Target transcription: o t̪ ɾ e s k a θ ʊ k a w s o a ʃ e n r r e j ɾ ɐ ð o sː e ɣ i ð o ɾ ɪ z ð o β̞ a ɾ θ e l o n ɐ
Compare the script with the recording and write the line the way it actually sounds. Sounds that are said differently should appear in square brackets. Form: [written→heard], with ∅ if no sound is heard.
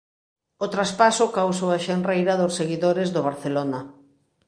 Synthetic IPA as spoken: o t̪ ɾ [e→a] s [k→p] a [θ→s] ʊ k a w s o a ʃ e n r r e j ɾ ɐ ð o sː e ɣ i ð o ɾ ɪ z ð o β̞ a ɾ θ e l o n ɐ